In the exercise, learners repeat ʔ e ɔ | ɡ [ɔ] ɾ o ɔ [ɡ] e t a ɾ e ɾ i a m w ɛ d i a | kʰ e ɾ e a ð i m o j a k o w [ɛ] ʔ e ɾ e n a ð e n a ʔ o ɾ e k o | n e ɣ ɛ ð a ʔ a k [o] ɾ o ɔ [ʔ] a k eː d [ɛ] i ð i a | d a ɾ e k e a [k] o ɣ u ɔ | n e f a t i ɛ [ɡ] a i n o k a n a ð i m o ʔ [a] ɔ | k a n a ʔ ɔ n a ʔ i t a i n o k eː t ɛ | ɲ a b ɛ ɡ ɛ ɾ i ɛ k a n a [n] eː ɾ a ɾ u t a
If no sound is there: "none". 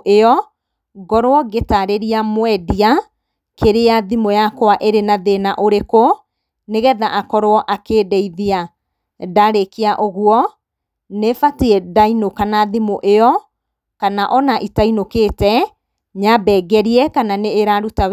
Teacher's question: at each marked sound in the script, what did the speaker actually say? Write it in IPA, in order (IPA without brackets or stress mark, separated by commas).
ɔ, ɡ, a, ɔ, ʔ, ɛ, ʔ, d, e, n